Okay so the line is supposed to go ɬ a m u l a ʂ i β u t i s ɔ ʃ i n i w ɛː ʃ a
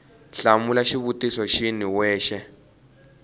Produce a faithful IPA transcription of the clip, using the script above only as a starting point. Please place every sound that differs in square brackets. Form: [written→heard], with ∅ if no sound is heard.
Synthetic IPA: ɬ a m u l a [ʂ→ʃ] i β u t i s ɔ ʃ i n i w ɛː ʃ [a→ɛ]